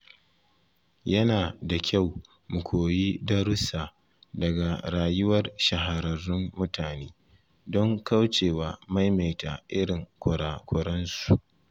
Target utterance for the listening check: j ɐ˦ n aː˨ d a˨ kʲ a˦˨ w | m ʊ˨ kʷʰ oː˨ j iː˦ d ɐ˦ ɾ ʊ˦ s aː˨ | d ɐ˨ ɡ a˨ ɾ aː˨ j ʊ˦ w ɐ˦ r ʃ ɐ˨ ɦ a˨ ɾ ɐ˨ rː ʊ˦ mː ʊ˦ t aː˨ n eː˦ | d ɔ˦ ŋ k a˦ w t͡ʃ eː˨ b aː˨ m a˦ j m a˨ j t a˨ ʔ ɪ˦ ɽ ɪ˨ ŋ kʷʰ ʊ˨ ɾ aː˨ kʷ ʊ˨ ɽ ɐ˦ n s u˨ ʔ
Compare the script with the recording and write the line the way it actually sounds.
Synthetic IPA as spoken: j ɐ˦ n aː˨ d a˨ kʲ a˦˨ w | m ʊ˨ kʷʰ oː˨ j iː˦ d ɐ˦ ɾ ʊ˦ s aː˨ | d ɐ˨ ɡ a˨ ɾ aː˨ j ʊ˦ w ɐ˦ r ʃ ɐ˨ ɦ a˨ ɾ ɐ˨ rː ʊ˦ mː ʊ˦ t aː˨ n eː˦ | d ɔ˦ ŋ k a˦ w t͡ʃ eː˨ w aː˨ m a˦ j m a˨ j t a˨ ʔ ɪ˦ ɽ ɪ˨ ŋ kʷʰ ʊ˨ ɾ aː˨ kʷ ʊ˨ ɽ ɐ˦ n s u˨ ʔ